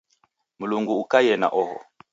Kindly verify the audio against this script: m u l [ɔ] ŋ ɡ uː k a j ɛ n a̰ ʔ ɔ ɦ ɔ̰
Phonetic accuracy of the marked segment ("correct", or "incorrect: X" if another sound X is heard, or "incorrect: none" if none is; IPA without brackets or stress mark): incorrect: u